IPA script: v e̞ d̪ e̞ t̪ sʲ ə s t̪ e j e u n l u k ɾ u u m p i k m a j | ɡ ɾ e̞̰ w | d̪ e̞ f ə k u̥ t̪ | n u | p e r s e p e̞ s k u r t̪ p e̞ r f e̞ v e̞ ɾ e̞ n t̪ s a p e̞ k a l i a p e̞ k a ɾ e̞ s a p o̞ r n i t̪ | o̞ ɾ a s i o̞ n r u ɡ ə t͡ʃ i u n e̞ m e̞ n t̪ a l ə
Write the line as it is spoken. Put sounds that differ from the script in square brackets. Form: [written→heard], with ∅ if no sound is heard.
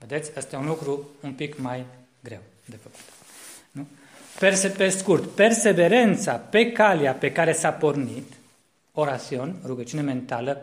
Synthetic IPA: v e̞ d̪ e̞ t̪ sʲ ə s t̪ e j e u n l u k ɾ u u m p i k m a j | ɡ ɾ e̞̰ w | d̪ e̞ f ə k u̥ t̪ | n u | p e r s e p e̞ s k u r t̪ p e̞ r [f→s] e̞ v e̞ ɾ e̞ n t̪ s a p e̞ k a l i a p e̞ k a ɾ e̞ s a p o̞ r n i t̪ | o̞ ɾ a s i o̞ n r u ɡ ə t͡ʃ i u n e̞ m e̞ n t̪ a l ə